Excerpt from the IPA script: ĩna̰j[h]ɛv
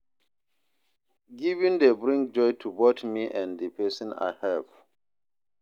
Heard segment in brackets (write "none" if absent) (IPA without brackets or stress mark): h